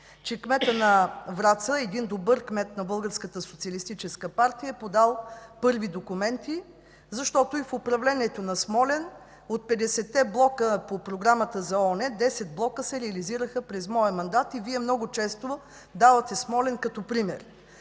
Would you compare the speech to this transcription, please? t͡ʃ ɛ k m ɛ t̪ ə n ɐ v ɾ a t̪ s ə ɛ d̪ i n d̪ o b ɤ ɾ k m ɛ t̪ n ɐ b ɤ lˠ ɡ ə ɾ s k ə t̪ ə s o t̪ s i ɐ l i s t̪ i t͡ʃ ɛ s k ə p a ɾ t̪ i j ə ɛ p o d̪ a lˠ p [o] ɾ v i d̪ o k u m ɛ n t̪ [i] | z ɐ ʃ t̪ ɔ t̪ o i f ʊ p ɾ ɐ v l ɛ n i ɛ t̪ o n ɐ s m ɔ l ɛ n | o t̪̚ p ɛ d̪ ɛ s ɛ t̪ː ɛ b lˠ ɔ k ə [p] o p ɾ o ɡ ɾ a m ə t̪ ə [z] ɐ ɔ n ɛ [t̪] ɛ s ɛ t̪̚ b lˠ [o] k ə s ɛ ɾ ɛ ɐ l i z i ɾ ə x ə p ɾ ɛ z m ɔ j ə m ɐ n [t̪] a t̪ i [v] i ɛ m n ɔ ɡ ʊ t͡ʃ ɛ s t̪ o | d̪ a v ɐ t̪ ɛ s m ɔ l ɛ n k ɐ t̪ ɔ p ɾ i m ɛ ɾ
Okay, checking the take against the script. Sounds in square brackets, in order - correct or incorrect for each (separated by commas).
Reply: incorrect, correct, correct, correct, incorrect, incorrect, incorrect, correct